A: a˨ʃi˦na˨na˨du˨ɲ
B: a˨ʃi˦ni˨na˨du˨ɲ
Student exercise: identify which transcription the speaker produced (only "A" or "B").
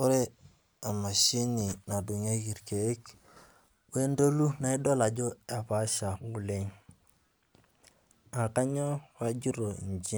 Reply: B